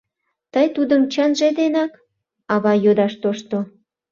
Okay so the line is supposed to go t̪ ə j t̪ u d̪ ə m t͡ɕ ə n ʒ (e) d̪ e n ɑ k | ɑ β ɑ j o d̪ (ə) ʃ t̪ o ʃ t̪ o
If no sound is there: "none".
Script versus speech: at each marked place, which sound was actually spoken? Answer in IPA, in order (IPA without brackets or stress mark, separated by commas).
e, ɑ